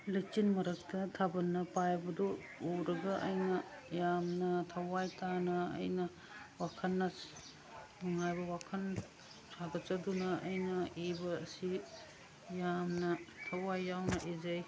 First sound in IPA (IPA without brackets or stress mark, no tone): l